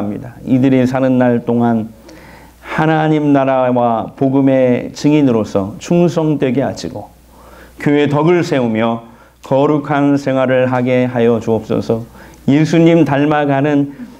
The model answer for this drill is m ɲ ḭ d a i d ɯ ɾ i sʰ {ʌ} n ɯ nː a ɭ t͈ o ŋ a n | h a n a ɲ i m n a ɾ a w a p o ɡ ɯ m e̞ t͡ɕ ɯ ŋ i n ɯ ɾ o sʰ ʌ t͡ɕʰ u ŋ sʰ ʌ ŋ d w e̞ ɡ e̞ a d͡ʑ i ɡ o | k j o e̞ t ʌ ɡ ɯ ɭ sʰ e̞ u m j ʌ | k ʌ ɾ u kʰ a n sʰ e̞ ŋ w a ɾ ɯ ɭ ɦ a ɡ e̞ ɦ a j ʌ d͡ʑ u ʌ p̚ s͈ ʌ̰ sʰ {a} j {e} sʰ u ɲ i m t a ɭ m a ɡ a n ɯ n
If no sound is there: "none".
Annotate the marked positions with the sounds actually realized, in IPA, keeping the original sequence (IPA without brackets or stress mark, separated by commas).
a, ʌ, e